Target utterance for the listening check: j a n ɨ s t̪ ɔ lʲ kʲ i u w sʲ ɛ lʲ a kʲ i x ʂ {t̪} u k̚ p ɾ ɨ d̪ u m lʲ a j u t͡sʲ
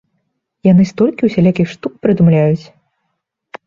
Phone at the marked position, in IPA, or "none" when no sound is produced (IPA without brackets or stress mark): t̪